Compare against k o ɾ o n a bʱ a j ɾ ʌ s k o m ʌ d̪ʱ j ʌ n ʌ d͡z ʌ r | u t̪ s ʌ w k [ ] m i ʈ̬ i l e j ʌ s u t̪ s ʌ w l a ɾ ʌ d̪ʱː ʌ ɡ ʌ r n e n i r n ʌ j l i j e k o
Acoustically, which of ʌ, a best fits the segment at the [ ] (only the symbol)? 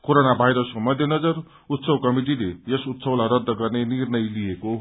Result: ʌ